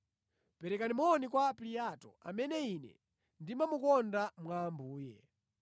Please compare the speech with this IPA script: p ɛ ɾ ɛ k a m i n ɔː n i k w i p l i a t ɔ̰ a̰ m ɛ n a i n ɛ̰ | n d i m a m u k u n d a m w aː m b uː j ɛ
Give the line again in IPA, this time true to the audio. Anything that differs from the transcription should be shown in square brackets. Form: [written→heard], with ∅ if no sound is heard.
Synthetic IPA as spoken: p ɛ ɾ ɛ k a [m→n] i [n→m] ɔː n i k w [i→a] p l i a t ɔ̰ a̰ m ɛ n [a→ɛ] i n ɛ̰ | n d i m a m u k [u→ɔ] n d a m w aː m b uː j ɛ